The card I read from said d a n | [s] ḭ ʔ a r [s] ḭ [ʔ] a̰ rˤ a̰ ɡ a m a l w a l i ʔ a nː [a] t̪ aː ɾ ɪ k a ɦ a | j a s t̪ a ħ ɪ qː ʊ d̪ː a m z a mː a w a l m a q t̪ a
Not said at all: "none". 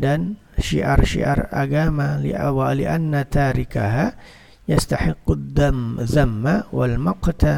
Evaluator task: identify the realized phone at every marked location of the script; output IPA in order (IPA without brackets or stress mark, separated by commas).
ʃ, ʃ, ʔ, a